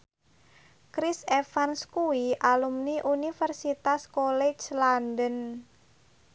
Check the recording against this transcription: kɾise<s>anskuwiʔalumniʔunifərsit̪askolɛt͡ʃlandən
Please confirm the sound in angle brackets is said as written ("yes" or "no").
no